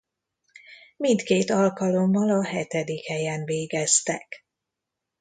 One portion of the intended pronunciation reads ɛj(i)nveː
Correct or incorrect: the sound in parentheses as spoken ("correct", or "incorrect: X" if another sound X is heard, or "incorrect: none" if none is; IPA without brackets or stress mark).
incorrect: ɛ